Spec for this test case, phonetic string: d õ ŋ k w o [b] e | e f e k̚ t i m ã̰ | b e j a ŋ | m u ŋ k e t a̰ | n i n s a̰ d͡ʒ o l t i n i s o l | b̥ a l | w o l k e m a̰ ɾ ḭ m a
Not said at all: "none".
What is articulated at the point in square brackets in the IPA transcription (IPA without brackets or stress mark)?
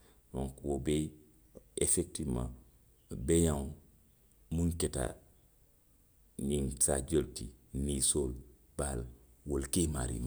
b